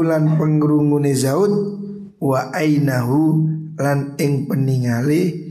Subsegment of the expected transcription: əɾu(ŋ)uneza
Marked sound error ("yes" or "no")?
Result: no